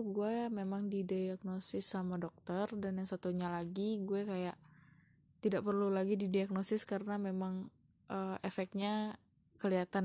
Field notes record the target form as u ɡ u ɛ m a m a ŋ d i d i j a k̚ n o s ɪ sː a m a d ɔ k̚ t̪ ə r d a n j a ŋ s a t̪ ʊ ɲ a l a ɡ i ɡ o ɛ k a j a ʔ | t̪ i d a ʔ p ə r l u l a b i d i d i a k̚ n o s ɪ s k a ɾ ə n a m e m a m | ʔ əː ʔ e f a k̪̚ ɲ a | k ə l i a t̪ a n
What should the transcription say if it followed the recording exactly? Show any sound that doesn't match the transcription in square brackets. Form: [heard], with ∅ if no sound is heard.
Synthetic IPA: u ɡ u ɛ m [e] m a ŋ d i d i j a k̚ n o s ɪ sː a m a d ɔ k̚ t̪ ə r d a n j a ŋ s a t̪ [u] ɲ a l a ɡ i ɡ [u] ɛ k a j a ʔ | t̪ i d a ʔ p ə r l u l a [ɡ] i d i d i a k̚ n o s ɪ s k a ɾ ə n a m e m a [ŋ] | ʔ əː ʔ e f [ɛ] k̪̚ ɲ a | k ə l i a t̪ a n